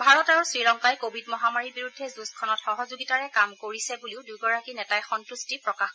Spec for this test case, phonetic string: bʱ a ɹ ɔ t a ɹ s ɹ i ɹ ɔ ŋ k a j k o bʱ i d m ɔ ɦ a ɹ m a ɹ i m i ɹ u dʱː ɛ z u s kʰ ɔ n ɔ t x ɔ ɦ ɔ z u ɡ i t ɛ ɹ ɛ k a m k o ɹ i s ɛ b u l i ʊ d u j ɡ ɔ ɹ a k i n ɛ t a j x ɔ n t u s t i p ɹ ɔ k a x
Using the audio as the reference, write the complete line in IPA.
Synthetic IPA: bʱ a ɹ ɔ t a ɹ s ɹ i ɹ ɔ ŋ k a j k o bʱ i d m ɔ ɦ a m a ɹ i b i ɹ u dʱː ɛ z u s kʰ ɔ n ɔ t x ɔ ɦ ɔ z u ɡ i t a ɹ ɛ k a m k o ɹ i s ɛ b u l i ʊ d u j ɡ ɔ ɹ a k i n ɛ t a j x ɔ n t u s t i p ɹ ɔ k a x